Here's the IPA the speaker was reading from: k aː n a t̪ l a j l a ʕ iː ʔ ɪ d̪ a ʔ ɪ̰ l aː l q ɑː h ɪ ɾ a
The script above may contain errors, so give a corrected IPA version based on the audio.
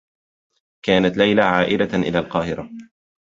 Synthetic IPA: k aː n a t̪ l a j l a ʕ aː ʔ ɪ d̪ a ʔ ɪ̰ l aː l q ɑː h ɪ ɾ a

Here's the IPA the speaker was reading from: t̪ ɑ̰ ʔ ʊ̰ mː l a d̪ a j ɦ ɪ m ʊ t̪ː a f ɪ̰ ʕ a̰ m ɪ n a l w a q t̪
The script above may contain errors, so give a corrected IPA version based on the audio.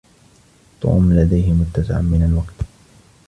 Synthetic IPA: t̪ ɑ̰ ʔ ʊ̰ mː l a d̪ a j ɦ ɪ m ʊ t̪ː a s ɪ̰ ʕ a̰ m ɪ n a l w a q t̪

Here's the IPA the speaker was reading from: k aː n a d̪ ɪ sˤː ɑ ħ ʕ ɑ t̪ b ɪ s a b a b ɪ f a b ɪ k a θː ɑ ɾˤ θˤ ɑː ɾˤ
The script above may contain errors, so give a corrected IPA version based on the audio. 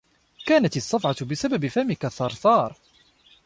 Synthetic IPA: k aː n a t̪ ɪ sˤː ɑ f ʕ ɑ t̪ b ɪ s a b a b ɪ f a m ɪ k a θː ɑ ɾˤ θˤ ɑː ɾˤ

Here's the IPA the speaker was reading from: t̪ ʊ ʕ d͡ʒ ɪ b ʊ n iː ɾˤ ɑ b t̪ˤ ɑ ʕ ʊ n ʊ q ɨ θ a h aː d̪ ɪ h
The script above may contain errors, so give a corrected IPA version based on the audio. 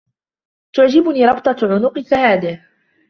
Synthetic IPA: t̪ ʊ ʕ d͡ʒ ɪ b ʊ n iː ɾˤ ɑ b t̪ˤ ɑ ʕ ʊ n ʊ q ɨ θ a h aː d̪ ɪ h

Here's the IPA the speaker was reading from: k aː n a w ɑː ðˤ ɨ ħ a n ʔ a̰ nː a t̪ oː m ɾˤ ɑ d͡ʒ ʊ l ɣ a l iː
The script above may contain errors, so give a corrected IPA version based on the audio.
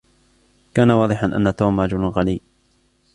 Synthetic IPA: k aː n a w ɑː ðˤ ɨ ħ a n ʔ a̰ nː a t̪ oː m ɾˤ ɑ d͡ʒ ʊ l ɣ a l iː

